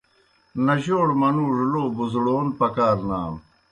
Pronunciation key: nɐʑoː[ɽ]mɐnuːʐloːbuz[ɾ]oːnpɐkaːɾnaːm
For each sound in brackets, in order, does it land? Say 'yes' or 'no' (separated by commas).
yes, no